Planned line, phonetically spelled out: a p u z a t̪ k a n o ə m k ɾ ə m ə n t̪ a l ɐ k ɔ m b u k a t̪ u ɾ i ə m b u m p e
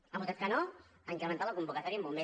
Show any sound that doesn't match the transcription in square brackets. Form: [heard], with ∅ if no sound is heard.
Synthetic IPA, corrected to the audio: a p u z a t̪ k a n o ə [ŋ] k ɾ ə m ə n t̪ a l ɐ k [u] m b u k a t̪ [ɔ] ɾ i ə m b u m [b] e